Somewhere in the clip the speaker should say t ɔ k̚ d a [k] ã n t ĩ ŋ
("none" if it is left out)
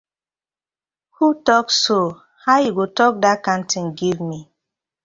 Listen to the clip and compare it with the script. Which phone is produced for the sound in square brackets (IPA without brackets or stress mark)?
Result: k